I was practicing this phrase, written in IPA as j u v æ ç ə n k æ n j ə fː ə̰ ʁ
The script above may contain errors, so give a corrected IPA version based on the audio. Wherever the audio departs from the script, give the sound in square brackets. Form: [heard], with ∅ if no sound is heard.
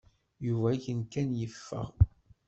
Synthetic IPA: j u v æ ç ə n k æ n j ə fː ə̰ ʁ

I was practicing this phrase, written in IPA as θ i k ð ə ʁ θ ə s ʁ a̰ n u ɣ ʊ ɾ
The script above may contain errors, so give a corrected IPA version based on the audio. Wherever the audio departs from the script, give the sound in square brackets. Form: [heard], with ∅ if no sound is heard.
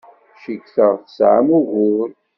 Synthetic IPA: [ʃ] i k [θ] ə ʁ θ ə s [ʕ] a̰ [m] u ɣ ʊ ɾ

